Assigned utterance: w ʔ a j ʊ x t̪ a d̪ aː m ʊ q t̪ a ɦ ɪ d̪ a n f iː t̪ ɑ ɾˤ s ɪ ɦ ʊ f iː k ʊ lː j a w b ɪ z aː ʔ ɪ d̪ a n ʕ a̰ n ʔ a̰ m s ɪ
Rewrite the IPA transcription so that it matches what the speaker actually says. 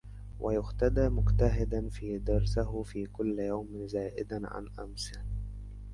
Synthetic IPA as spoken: w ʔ a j ʊ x t̪ a d̪ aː m ʊ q t̪ a ɦ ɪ d̪ a n f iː d̪ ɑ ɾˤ s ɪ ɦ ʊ f iː k ʊ lː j a w m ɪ z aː ʔ ɪ d̪ a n ʕ a̰ n ʔ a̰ m s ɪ